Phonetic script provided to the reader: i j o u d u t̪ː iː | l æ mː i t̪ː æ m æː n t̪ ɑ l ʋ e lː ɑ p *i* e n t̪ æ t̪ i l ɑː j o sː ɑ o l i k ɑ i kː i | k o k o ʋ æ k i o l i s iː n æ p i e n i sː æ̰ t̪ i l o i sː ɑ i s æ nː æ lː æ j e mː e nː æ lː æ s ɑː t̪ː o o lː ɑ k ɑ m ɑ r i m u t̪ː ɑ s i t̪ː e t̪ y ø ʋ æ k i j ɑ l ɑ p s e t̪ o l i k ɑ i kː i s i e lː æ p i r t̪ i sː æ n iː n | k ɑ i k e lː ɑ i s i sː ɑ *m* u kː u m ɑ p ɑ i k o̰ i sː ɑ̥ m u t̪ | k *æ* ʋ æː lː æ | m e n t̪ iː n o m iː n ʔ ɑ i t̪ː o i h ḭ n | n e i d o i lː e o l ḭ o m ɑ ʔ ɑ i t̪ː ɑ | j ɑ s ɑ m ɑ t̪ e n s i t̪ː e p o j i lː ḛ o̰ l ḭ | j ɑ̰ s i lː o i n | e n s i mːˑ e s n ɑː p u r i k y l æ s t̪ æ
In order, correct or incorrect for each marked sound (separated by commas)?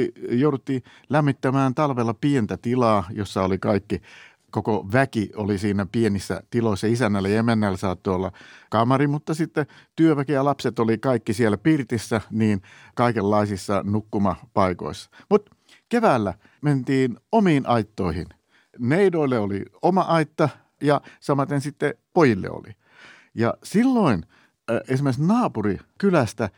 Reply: correct, incorrect, incorrect